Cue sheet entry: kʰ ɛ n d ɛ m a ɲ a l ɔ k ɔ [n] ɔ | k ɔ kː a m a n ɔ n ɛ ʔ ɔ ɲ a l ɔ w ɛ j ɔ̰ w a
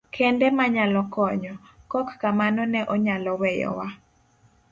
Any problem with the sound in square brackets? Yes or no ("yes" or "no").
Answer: yes